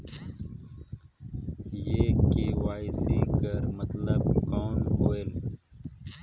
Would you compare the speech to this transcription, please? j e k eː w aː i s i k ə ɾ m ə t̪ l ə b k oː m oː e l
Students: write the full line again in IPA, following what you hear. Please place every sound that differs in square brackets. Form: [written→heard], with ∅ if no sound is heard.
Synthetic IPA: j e k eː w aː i s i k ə ɾ m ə t̪ l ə b k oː [m→n] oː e l

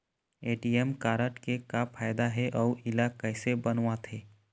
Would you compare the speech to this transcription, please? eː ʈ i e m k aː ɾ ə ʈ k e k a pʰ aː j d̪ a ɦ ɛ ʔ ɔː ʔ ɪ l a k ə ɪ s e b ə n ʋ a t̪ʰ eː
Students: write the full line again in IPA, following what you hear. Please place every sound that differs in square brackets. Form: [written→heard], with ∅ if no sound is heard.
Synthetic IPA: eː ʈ i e m k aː ɾ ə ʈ k e k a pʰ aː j d̪ a ɦ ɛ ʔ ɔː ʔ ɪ l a k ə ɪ s e b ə n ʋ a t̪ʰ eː

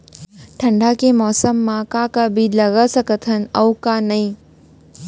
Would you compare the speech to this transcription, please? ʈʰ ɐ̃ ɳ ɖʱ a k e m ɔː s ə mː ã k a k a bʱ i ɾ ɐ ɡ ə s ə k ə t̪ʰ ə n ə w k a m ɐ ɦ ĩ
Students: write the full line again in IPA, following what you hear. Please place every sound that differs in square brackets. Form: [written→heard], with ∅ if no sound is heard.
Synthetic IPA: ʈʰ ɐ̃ ɳ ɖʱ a k e m ɔː s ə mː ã k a k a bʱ i [ɾ→l] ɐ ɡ ə s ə k ə t̪ʰ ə n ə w k a [m→n] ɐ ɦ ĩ

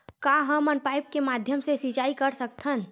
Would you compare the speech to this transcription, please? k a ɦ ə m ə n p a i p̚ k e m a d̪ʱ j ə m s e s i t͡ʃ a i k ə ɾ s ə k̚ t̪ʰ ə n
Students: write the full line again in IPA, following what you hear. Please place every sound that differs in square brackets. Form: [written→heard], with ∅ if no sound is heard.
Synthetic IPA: k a ɦ ə m ə n p a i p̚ k e m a d̪ʱ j ə m s e s i t͡ʃ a i k ə ɾ s ə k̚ t̪ʰ ə n

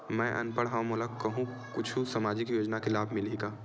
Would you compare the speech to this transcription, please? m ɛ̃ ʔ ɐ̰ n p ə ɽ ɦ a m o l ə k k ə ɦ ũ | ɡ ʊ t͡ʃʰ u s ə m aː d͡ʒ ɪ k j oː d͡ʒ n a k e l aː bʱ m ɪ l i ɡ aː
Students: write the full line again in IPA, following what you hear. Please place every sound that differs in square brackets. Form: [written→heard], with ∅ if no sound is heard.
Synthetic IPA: m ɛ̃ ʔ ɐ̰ n p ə ɽ ɦ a m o l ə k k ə ɦ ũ | [ɡ→k] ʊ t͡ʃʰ u s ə m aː d͡ʒ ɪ k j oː d͡ʒ n a k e l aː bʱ m ɪ l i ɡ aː

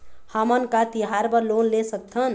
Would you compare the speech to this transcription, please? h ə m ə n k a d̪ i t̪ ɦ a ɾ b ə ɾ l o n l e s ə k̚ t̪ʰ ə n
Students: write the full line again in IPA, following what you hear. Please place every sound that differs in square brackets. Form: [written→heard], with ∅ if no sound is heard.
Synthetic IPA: h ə m ə n k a [d̪→t̪] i [t̪→∅] ɦ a ɾ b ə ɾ l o n l e s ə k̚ t̪ʰ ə n

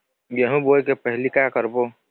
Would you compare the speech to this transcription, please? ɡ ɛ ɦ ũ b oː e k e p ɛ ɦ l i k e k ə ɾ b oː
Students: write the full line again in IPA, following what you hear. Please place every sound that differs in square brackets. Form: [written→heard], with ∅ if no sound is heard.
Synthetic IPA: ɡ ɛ ɦ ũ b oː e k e p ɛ ɦ l i k [e→a] k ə ɾ b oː

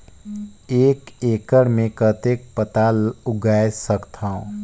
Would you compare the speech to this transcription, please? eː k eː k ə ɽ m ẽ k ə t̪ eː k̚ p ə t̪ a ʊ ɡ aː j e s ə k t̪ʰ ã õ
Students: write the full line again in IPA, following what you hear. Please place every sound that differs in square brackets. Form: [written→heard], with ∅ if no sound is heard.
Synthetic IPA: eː k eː k ə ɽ m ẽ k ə t̪ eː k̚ p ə t̪ a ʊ ɡ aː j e s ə k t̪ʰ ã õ

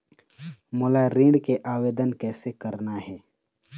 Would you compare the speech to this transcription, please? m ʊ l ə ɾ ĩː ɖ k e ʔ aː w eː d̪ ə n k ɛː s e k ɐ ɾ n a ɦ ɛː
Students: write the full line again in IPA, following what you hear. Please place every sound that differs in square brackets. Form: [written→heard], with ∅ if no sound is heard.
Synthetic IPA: m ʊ l [ə→a] ɾ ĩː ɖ k e ʔ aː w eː d̪ ə n k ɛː s e k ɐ ɾ n a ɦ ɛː

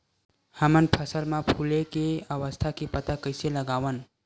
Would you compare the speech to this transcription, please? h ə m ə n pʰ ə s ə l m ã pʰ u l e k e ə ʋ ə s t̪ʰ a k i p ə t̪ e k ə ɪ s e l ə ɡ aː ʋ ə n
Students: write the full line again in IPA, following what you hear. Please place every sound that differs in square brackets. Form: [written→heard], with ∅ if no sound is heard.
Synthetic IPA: h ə m ə n pʰ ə s ə l m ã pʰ u l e k e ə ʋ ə s t̪ʰ a k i p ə t̪ [e→a] k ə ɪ s e l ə ɡ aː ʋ ə n

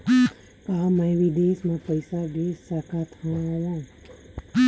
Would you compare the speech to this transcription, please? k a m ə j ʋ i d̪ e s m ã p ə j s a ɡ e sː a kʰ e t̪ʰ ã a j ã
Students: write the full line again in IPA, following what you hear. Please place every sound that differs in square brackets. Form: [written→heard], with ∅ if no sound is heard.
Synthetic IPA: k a m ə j ʋ i d̪ e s m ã p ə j s a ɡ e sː a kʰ [e→a] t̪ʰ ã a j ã

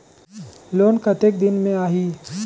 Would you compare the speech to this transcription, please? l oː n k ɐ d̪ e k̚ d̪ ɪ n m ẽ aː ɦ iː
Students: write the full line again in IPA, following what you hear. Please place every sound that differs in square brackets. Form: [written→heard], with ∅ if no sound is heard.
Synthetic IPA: l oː n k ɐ [d̪→t̪] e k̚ d̪ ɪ n m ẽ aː ɦ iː

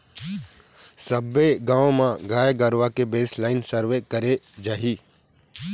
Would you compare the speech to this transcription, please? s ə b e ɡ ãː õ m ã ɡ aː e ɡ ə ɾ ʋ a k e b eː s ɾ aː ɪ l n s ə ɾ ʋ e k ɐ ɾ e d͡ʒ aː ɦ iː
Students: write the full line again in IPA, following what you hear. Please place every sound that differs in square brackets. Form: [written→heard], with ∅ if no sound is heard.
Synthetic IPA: s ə b e ɡ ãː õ m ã ɡ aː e ɡ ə ɾ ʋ a k e b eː s [ɾ→l] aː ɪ [l→∅] n s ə ɾ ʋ e k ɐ ɾ e d͡ʒ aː ɦ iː

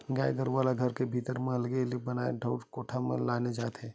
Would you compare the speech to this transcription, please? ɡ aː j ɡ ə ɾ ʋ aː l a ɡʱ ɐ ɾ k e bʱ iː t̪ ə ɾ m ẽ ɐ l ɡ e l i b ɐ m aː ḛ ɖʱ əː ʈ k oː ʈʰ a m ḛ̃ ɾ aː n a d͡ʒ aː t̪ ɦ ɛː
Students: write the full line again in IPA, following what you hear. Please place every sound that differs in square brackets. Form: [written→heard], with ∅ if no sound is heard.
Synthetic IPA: ɡ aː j ɡ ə ɾ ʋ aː l a ɡʱ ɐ ɾ k e bʱ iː t̪ ə ɾ m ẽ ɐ l ɡ e l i b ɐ [m→n] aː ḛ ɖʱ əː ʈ k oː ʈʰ a m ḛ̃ [ɾ→l] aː n [a→e] d͡ʒ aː t̪ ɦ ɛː

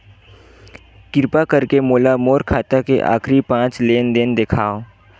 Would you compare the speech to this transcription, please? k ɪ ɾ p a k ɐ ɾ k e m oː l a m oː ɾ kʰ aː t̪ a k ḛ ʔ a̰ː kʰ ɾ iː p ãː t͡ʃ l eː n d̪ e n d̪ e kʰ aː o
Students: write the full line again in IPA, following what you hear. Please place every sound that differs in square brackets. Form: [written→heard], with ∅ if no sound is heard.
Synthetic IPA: k ɪ ɾ p a k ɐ ɾ k e m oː l a m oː ɾ kʰ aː t̪ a k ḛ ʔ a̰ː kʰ ɾ [iː→i] p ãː t͡ʃ l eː n d̪ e n d̪ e kʰ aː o

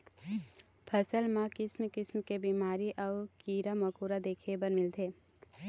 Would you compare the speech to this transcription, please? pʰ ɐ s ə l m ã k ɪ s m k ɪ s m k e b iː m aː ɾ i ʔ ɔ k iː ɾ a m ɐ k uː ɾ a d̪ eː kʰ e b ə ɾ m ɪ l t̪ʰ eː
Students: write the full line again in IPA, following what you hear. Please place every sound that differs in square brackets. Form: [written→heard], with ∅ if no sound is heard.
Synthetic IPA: pʰ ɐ s ə l m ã k ɪ s m k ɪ s m k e b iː m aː ɾ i ʔ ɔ k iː ɾ a m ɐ k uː ɾ a d̪ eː kʰ e b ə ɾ m ɪ l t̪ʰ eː

